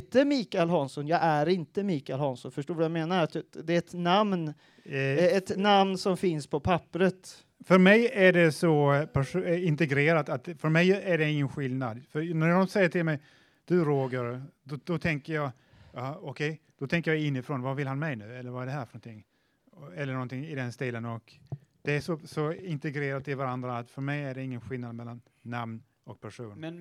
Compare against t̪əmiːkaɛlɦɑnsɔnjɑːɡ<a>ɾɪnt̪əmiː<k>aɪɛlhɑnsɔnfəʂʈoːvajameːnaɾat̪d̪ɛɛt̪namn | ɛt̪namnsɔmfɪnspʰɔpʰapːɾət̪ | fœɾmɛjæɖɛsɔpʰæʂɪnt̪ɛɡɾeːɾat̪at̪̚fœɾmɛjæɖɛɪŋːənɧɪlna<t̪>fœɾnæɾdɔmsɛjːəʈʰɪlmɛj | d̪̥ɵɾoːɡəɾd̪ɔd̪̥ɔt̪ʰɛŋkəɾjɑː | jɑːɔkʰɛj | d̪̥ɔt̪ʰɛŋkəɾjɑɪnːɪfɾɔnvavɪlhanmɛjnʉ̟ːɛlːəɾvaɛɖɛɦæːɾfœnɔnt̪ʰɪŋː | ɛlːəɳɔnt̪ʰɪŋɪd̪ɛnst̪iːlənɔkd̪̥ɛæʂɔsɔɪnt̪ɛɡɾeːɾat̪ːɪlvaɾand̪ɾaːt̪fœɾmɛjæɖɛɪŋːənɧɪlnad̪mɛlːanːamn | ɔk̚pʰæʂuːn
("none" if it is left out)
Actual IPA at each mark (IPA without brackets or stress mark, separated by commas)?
æ, k, d̪